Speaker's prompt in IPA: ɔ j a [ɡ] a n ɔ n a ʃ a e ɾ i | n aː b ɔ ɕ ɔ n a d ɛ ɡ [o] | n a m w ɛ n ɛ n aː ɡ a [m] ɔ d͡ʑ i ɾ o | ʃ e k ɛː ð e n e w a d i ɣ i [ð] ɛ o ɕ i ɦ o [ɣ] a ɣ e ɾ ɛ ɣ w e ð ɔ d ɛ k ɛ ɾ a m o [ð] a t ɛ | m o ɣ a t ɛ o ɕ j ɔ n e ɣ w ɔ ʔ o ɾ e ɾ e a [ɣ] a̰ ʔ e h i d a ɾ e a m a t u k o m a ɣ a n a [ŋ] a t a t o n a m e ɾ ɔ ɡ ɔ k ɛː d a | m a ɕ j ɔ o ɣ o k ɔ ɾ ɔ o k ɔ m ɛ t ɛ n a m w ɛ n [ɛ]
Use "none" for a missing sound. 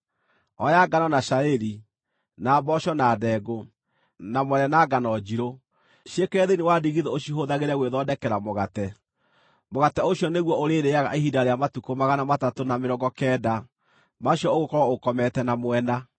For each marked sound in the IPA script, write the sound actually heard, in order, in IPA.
ɡ, o, n, ð, ð, ɣ, ɣ, m, a

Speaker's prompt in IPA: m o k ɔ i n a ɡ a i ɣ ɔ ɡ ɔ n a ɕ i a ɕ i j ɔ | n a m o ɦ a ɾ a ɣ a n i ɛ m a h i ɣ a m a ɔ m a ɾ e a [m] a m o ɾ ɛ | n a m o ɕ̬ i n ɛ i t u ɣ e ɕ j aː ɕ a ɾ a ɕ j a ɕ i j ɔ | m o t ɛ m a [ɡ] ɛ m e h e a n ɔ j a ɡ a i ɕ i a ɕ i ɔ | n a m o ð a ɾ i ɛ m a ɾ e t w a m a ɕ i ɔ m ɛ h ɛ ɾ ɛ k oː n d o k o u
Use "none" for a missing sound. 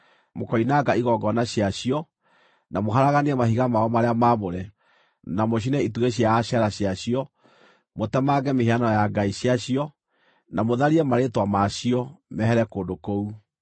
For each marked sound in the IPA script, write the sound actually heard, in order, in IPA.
m, ɡ

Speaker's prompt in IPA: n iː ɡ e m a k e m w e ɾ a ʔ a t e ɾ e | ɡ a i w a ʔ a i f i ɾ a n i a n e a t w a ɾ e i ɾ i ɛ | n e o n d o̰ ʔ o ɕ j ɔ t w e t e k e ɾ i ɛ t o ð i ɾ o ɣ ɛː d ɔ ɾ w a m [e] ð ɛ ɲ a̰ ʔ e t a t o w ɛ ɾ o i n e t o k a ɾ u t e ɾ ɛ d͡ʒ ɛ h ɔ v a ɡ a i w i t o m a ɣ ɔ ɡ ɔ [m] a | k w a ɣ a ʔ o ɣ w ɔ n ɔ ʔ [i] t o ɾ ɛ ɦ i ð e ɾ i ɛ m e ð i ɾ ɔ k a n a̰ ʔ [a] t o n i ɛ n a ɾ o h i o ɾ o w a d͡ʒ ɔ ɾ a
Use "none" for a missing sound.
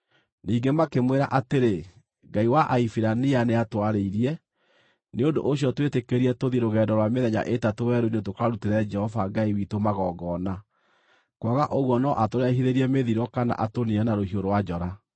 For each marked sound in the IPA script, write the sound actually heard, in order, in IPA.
e, n, a, a

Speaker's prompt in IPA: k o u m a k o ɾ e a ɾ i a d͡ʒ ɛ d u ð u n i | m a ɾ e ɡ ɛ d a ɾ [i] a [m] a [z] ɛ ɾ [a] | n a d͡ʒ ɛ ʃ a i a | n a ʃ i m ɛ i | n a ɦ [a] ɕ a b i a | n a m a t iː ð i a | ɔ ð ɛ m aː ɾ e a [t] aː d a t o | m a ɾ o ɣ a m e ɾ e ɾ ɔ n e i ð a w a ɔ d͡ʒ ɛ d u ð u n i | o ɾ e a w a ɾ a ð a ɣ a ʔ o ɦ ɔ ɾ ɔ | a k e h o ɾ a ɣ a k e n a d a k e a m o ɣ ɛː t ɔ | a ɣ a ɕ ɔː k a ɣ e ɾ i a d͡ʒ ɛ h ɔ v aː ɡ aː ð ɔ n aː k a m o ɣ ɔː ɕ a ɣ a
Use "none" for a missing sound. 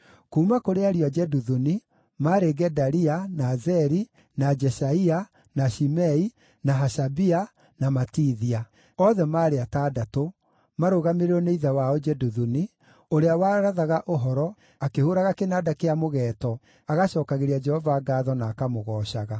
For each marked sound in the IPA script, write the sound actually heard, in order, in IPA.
i, n, z, i, a, t

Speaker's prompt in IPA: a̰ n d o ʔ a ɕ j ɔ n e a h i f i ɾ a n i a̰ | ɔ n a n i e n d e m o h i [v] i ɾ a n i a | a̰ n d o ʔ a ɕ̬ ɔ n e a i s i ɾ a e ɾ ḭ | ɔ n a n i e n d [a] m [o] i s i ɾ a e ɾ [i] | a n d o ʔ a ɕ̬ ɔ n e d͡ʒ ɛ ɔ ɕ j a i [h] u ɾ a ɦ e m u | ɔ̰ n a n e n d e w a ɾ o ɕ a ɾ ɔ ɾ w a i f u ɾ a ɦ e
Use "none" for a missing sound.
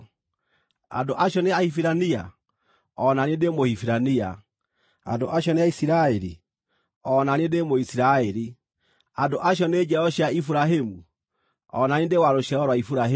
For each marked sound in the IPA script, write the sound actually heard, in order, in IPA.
f, e, o, i, f

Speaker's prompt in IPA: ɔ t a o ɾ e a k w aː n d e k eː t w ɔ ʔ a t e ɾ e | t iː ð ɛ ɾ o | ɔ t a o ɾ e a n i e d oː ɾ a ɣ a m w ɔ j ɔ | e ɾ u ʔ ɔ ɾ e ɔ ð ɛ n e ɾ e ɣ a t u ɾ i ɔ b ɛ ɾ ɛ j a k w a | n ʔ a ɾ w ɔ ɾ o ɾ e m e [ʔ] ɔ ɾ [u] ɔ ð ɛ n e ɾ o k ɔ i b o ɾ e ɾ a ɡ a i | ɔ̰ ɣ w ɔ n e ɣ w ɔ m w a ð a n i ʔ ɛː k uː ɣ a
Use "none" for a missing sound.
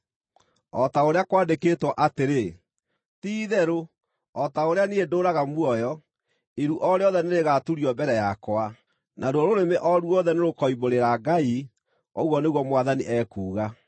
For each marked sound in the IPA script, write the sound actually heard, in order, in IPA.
ʔ, u

